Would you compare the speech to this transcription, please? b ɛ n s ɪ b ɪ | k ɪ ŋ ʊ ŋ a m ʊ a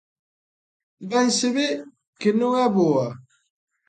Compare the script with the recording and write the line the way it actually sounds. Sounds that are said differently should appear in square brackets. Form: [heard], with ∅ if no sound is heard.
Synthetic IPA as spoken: b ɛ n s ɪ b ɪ | k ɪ [n] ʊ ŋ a [b] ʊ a